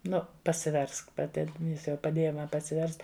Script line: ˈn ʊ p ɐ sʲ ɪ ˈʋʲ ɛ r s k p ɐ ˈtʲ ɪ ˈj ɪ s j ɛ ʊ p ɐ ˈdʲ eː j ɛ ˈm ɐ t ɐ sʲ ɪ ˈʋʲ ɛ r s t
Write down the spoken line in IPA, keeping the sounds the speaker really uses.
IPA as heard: ˈn ʊ p ɐ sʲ ɪ ˈʋʲ ɛ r s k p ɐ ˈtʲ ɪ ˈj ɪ s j ɛ ʊ p ɐ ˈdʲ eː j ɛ ˈm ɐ p ɐ sʲ ɪ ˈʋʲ ɛ r s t